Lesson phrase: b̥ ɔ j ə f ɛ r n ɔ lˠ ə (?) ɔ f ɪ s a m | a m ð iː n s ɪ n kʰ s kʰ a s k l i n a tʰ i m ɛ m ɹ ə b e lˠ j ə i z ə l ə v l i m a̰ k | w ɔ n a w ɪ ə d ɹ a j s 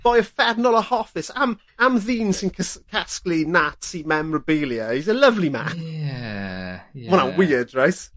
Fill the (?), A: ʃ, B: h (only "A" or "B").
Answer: B